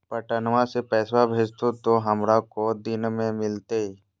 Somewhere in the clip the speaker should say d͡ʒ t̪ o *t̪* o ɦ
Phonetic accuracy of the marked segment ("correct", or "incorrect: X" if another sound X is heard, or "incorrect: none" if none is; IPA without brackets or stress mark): correct